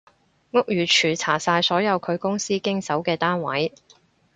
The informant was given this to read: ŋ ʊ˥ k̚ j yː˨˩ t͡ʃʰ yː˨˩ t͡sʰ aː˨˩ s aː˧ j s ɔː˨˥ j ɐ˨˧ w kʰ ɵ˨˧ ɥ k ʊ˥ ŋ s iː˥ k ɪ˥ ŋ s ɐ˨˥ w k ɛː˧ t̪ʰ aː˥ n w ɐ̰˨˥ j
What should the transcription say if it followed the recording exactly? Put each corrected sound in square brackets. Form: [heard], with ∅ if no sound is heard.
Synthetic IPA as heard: ŋ ʊ˥ k̚ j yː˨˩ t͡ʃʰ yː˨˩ t͡sʰ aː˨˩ s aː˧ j s ɔː˨˥ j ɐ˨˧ w kʰ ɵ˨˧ ɥ k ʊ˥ ŋ s iː˥ k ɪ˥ ŋ s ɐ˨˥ w k ɛː˧ [t̪] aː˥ n w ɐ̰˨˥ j